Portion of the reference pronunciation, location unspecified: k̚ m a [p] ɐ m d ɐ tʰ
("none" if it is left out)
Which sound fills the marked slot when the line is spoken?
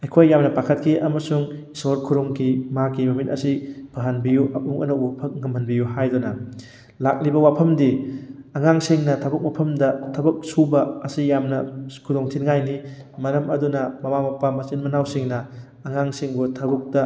pʰ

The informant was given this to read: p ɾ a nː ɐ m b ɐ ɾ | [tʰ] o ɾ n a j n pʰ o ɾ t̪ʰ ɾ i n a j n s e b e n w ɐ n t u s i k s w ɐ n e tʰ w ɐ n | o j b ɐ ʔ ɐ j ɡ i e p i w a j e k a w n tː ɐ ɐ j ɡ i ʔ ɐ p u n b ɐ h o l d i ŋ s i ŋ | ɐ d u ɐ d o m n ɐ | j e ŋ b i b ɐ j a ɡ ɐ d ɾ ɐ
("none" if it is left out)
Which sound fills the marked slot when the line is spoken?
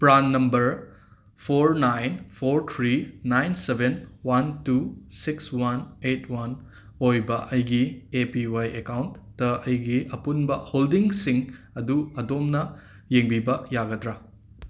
pʰ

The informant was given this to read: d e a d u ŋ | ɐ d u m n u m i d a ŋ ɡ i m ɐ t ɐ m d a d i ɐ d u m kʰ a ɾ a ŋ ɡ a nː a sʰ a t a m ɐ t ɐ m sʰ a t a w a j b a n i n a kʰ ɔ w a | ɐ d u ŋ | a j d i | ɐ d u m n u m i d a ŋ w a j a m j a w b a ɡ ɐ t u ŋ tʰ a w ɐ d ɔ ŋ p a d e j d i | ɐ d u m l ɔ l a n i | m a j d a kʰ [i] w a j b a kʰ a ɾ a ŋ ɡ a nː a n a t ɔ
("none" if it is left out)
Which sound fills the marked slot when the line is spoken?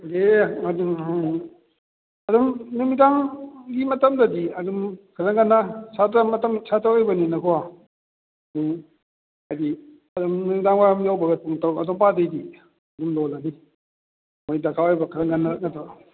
a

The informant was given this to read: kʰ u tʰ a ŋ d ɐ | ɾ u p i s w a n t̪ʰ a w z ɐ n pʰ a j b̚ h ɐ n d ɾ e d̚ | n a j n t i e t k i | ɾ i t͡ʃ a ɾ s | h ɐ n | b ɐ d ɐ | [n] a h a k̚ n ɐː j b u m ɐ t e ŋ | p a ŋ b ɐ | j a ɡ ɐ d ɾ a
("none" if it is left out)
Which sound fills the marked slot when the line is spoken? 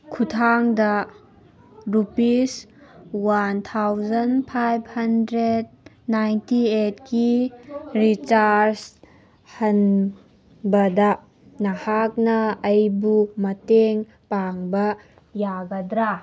n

